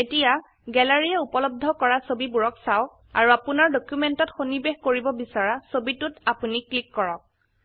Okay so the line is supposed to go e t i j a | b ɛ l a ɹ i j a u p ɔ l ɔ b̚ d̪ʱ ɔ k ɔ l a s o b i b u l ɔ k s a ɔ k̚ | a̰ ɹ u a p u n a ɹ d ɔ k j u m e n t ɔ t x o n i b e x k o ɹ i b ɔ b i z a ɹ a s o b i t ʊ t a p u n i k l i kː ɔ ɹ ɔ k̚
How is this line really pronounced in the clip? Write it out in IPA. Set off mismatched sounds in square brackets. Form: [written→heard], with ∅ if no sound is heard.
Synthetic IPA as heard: e t i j a | [b→ɡ] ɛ l a ɹ i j [a→ɛ] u p ɔ l ɔ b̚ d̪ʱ ɔ k ɔ [l→ɹ] a s o b i b u [l→ɹ] ɔ k s a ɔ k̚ | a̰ ɹ u a p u n a ɹ d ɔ k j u m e n t ɔ t x o n i b e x k o ɹ i b ɔ b i [z→s] a ɹ a s o b i t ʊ t a p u n i k l i kː ɔ ɹ ɔ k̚